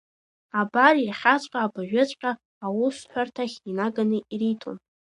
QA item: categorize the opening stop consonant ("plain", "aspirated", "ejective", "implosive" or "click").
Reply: plain